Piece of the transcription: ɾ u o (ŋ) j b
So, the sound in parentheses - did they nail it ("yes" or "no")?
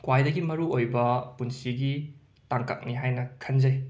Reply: no